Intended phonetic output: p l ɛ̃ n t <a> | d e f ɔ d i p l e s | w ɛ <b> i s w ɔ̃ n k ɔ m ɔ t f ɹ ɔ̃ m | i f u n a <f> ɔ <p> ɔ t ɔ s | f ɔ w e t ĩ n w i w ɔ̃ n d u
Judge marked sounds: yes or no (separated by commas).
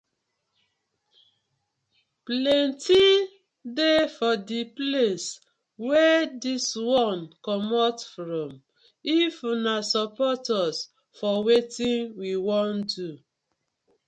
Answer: no, no, no, yes